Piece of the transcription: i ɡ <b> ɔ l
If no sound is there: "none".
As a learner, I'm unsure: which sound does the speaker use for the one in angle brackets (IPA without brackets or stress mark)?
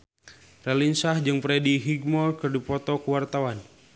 m